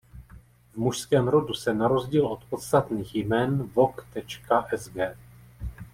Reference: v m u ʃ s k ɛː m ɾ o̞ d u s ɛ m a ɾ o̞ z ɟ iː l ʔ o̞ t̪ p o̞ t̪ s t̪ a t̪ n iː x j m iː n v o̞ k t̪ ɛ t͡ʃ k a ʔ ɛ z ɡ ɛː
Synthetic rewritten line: v m u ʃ s k ɛː m ɾ o̞ d u s ɛ n a ɾ o̞ z ɟ iː l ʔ o̞ t̪ p o̞ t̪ s t̪ a t̪ n iː x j m ɛː n v o̞ k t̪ ɛ t͡ʃ k a ʔ ɛ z ɡ ɛː